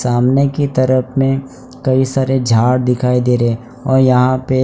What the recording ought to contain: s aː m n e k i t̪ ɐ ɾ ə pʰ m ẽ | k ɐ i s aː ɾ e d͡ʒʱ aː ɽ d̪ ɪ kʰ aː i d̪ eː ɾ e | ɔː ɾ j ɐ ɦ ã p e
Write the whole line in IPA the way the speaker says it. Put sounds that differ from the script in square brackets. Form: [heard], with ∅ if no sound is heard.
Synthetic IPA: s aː m n e k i t̪ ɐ ɾ ə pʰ m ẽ | k ɐ i s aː ɾ e d͡ʒʱ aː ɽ d̪ ɪ kʰ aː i d̪ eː ɾ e | ɔː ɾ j ɐ ɦ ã p e